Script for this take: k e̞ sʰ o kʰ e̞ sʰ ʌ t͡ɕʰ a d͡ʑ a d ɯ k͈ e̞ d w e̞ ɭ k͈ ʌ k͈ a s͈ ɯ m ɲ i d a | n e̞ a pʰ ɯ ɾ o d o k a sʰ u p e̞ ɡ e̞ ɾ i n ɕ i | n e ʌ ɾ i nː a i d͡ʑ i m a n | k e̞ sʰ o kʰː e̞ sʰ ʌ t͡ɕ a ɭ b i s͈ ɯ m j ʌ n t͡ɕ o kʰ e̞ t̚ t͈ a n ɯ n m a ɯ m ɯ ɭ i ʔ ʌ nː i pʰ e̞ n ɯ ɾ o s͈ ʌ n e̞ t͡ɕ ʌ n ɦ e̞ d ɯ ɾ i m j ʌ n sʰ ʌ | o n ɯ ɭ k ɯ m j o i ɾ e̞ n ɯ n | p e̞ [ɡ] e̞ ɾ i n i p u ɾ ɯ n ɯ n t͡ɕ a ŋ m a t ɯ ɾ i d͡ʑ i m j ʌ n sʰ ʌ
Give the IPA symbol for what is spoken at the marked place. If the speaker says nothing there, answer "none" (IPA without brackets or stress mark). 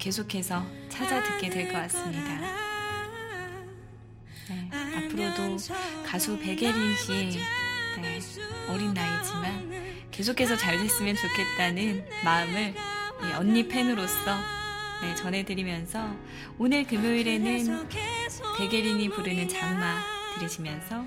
ɡ